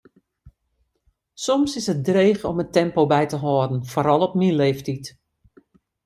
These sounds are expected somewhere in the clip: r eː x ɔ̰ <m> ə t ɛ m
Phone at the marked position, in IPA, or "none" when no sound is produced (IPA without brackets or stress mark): m